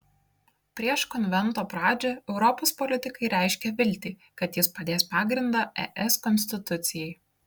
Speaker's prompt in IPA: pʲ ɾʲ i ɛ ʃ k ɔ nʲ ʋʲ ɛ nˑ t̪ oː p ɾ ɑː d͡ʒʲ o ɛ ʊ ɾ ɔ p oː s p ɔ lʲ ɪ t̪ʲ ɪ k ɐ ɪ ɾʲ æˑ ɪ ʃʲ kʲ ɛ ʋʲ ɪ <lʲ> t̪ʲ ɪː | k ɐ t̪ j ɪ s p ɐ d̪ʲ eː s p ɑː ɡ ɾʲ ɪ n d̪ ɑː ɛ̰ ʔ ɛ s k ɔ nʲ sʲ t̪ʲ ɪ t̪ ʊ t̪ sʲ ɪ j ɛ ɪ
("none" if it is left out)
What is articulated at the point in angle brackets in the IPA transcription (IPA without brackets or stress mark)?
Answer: lʲ